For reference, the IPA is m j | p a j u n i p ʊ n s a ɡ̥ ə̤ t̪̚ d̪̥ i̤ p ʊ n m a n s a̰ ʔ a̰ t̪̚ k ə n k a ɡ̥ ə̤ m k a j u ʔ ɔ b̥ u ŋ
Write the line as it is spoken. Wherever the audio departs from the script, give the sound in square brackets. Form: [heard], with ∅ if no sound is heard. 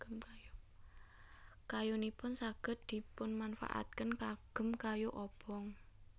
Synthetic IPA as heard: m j | [k] a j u n i p ʊ n s a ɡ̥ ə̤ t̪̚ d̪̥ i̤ p ʊ n m a n [f] a̰ ʔ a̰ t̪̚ k ə n k a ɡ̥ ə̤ m k a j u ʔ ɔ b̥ [ɔ] ŋ